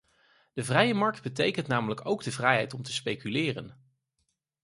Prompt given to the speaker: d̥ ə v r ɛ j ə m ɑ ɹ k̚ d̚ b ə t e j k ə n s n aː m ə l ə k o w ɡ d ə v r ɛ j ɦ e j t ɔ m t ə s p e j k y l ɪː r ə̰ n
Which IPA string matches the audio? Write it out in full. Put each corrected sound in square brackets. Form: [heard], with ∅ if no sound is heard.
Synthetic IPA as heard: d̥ ə v r ɛ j ə m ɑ ɹ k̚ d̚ b ə t e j k ə n [t] n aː m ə l ə k o w ɡ d ə v r ɛ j ɦ [ɛ] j t ɔ m t ə s p e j k y l ɪː r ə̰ n